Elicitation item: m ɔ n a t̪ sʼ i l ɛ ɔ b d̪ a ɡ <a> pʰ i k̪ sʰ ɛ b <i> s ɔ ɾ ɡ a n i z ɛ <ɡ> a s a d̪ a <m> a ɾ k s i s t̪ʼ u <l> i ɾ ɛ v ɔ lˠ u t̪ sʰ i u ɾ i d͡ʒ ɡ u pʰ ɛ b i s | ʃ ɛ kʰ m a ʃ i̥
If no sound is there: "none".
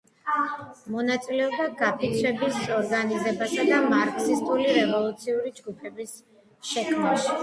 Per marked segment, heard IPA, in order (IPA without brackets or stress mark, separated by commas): a, i, b, m, l